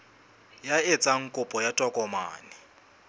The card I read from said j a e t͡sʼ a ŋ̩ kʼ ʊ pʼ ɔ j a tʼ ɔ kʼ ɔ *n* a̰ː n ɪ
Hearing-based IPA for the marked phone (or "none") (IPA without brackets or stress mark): m